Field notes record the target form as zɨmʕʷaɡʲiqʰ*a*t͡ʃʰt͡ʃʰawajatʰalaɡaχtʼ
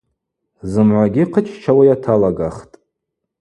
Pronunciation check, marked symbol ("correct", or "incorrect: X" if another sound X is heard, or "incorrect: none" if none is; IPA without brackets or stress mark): incorrect: ə